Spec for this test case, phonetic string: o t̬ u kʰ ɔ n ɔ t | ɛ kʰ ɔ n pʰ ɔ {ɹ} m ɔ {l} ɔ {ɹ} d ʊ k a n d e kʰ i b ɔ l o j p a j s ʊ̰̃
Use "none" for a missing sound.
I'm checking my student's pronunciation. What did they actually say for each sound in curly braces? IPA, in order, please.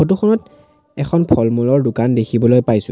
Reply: l, l, ɹ

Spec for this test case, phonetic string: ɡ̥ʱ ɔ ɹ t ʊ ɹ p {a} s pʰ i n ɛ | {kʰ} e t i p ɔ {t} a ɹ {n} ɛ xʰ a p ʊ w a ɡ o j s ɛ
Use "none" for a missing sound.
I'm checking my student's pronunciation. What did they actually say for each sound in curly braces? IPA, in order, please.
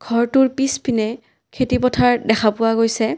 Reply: i, kʰ, tʰ, d

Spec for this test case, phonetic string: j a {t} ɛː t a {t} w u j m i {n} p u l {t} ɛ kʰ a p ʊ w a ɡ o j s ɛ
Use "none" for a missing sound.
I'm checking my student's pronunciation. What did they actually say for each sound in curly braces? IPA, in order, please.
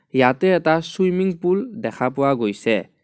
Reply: t, s, ŋ, d

